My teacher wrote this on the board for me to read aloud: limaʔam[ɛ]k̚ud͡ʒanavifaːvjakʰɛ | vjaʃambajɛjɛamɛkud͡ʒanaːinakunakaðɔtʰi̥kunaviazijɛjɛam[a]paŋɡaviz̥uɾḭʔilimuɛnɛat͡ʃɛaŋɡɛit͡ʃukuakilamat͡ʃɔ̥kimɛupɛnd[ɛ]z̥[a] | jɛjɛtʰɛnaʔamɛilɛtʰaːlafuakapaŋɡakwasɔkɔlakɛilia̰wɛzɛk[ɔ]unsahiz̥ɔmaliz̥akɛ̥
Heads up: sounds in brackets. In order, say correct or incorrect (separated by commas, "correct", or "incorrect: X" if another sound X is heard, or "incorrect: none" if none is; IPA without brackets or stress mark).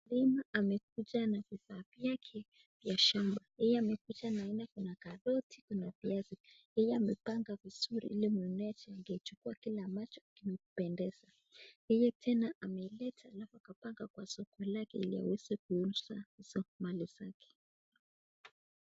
correct, incorrect: ɛ, correct, correct, incorrect: u